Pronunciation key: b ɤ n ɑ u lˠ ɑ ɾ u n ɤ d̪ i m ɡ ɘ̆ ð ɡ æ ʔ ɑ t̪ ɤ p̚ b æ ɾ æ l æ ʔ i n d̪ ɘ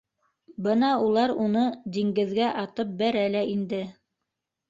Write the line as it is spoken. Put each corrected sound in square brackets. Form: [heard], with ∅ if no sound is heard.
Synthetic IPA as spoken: b ɤ n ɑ u lˠ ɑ ɾ u n ɤ d̪ i [ŋ] ɡ ɘ̆ ð ɡ æ ʔ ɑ t̪ ɤ p̚ b æ ɾ æ l æ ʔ i n d̪ ɘ